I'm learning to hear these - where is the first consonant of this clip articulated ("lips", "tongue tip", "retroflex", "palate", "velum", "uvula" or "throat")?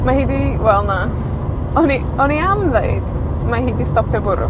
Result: lips